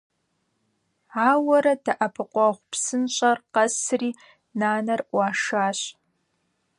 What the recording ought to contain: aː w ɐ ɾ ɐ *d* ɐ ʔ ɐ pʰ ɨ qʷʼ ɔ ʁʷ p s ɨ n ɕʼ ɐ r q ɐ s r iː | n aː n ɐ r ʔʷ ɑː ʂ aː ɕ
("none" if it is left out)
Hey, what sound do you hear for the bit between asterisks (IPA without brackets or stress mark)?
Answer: d